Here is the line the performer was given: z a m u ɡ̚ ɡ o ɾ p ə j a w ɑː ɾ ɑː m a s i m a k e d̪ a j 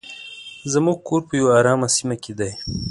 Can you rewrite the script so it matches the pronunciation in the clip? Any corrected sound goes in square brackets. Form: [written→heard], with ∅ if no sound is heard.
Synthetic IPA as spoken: z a m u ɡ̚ [ɡ→k] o ɾ p ə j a w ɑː ɾ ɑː m a s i m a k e d̪ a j

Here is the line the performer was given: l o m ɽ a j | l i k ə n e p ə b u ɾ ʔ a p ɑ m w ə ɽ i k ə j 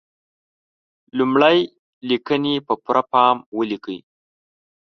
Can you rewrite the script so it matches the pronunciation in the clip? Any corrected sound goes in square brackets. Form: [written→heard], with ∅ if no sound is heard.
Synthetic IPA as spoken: l [o→u] m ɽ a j | l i k ə n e p ə [b→p] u ɾ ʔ a p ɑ m w ə [ɽ→l] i k ə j

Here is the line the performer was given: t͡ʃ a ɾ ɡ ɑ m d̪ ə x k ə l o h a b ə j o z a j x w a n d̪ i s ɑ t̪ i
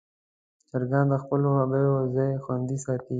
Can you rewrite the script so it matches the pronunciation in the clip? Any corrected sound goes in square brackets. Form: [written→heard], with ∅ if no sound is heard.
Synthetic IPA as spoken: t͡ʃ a ɾ ɡ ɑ [m→n] d̪ ə x [k→p] ə l o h a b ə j o z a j x w a n d̪ i s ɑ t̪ i

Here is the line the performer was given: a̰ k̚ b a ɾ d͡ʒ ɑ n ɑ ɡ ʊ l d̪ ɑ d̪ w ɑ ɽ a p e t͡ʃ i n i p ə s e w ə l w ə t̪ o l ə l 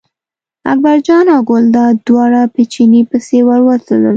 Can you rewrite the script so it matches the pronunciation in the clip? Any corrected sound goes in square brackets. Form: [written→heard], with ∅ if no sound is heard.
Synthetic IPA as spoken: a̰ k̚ b a ɾ d͡ʒ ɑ n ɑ ɡ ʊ l d̪ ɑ d̪ w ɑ ɽ a p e t͡ʃ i n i p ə s e w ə [l→ɾ] w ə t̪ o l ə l

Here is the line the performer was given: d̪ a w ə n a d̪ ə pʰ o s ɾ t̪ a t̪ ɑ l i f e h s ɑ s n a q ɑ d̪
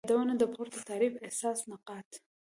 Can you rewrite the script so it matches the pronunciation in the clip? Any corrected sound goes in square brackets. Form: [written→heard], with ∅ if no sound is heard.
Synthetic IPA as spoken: d̪ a w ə n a d̪ ə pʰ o [s→∅] ɾ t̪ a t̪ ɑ [l→ɾ] i f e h s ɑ s n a q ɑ [d̪→t̪]

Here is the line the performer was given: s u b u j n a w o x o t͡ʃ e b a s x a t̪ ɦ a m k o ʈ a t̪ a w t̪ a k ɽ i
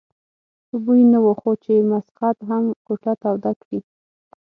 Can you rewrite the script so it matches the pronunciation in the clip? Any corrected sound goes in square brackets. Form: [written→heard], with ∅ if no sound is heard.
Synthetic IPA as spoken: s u b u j n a w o x o t͡ʃ e [b→m] a s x a t̪ ɦ a m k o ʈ a t̪ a w [t̪→d̪] a k ɽ i

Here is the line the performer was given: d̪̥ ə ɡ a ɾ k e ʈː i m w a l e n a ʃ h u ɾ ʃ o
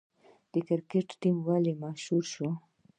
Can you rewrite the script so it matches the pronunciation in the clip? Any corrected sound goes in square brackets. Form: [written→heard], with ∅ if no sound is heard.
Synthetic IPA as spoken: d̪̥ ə [ɡ→k] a ɾ k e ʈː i m w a l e [n→m] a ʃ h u ɾ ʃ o

